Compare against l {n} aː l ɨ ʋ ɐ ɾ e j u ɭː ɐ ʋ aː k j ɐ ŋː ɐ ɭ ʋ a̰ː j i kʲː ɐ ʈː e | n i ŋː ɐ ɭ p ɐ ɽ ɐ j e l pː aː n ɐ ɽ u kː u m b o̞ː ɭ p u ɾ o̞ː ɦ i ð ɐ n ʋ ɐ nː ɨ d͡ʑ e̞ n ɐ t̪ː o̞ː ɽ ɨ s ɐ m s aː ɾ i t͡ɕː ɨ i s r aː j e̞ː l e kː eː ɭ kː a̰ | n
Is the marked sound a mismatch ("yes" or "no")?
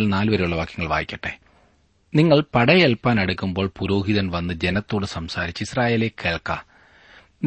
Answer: no